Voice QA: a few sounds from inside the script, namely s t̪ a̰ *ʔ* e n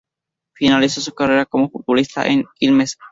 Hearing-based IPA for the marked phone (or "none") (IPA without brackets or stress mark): ʔ